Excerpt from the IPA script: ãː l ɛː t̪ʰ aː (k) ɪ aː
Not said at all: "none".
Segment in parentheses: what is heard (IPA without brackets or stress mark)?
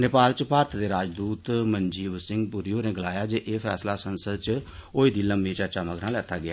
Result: ɡ